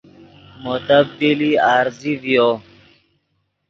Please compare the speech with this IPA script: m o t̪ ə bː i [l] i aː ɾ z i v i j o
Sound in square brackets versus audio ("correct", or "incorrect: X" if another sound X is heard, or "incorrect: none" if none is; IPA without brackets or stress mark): correct